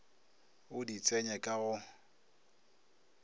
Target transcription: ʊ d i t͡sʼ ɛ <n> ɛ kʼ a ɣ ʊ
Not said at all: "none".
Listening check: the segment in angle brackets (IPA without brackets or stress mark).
ɲ